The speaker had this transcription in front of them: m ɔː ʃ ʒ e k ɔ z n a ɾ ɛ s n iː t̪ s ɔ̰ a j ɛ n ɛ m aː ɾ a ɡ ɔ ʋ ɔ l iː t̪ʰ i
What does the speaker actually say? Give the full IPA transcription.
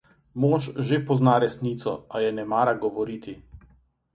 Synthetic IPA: m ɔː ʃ ʒ e p ɔ z n a ɾ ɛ s n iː t̪ s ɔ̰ a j ɛ n ɛ m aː ɾ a ɡ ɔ ʋ ɔ ɾ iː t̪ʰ i